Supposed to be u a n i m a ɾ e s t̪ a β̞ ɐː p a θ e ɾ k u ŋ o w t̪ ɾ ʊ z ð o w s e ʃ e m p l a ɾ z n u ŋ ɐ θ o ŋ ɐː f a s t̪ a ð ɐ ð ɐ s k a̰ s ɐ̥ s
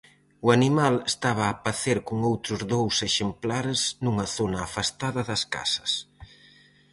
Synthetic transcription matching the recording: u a n i m a l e s t̪ a β̞ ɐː p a θ e ɾ k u ŋ o w t̪ ɾ ʊ z ð o w s e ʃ e m p l a ɾ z n u ŋ ɐ θ o n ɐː f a s t̪ a ð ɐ ð ɐ s k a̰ s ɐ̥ s